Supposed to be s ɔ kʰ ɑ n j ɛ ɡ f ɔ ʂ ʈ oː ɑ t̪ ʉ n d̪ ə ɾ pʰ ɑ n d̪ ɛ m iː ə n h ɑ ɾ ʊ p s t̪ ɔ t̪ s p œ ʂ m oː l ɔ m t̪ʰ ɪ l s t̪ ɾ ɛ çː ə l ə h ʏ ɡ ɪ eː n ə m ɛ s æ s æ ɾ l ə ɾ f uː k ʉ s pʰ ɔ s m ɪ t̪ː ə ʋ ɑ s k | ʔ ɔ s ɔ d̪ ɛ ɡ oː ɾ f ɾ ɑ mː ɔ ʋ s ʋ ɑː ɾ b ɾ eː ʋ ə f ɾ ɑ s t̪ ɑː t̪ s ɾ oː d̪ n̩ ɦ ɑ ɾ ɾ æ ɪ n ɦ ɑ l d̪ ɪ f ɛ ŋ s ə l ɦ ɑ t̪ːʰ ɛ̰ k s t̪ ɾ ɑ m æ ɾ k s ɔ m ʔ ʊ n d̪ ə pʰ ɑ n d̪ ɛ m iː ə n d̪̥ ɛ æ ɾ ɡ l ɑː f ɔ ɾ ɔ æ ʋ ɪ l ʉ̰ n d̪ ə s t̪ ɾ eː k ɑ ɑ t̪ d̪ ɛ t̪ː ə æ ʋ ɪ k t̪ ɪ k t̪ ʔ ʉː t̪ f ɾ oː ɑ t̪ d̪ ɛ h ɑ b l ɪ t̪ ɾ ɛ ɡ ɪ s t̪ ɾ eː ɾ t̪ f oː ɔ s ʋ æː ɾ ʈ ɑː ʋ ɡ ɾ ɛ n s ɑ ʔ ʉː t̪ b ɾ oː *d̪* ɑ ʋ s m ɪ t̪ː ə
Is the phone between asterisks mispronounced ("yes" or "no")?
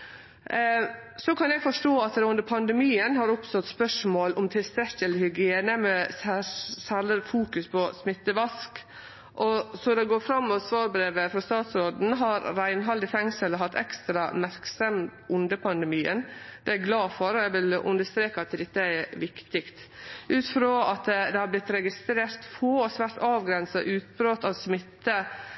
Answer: yes